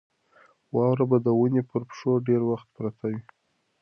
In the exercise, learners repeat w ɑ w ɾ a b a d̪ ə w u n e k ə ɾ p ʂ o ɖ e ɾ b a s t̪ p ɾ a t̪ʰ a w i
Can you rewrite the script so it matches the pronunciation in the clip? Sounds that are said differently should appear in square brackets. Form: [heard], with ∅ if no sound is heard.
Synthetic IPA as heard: w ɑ w ɾ a b a d̪ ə w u n e [p] ə ɾ p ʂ o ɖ e ɾ [w] a [x] t̪ p ɾ a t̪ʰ a w i